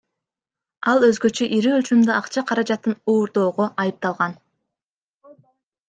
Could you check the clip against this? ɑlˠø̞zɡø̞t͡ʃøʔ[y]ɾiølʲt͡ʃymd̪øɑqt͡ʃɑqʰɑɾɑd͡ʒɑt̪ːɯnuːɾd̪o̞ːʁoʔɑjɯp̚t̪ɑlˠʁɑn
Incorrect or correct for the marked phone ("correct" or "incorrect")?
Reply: incorrect